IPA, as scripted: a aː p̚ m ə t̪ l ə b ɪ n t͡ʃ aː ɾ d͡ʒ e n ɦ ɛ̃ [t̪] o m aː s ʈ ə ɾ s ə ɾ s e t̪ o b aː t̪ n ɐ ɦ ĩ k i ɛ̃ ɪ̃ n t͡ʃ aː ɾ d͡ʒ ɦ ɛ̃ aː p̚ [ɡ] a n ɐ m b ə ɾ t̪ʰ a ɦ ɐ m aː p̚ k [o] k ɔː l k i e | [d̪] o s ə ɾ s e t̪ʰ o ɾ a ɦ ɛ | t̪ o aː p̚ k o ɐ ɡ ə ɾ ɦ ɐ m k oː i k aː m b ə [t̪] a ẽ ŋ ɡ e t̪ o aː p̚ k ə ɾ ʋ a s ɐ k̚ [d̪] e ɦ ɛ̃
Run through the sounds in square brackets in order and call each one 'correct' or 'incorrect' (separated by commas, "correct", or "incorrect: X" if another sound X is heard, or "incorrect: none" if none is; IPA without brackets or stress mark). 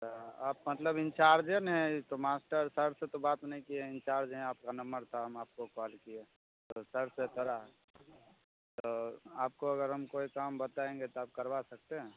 correct, incorrect: k, correct, incorrect: t̪, correct, incorrect: t̪